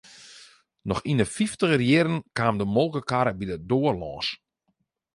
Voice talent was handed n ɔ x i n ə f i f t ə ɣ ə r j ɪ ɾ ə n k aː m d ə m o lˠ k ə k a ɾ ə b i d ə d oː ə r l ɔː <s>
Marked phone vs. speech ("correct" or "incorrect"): correct